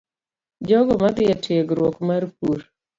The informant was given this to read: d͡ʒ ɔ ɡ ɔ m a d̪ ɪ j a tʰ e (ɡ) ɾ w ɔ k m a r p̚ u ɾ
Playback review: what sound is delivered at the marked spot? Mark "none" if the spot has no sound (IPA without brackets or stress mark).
ɡ